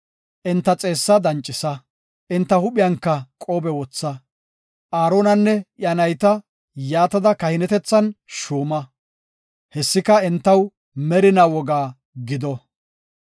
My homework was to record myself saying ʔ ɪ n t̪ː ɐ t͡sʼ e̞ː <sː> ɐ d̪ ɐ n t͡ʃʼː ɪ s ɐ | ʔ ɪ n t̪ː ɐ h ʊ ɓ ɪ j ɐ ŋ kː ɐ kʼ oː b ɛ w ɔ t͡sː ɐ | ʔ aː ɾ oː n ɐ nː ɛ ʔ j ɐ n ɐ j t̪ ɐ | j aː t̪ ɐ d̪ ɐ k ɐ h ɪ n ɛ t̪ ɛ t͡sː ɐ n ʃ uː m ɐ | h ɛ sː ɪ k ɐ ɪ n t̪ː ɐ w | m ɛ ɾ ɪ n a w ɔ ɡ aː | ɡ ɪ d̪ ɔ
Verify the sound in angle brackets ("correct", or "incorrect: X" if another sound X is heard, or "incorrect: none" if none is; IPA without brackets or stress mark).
correct